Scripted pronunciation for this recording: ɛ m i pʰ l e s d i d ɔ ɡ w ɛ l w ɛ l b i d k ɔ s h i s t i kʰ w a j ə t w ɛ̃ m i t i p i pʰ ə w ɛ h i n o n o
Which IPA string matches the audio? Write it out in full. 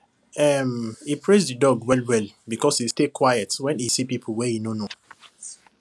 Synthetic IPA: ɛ m i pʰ ɹ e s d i d ɔ ɡ w ɛ l w ɛ l b i k ɔ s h i s t e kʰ w a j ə t w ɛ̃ n i s i p i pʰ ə w ɛ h i n o n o